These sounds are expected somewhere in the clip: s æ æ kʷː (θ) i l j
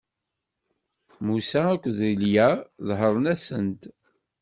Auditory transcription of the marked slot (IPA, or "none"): ð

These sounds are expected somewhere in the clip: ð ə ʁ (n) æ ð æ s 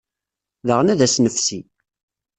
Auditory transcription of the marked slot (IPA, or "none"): n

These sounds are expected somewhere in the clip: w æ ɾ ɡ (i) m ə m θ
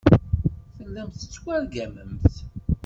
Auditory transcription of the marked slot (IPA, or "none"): æ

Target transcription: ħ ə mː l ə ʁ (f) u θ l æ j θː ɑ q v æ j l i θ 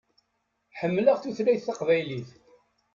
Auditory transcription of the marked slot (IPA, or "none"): θ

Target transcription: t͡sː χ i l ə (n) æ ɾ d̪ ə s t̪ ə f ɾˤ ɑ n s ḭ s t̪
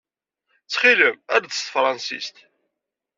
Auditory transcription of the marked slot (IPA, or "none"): m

